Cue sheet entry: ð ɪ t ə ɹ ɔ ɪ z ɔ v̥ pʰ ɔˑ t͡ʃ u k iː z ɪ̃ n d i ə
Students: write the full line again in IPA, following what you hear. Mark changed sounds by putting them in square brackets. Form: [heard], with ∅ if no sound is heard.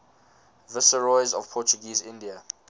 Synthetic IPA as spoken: [v] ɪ [s] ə ɹ ɔ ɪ z ɔ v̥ pʰ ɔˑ t͡ʃ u [ɡ] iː z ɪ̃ n d i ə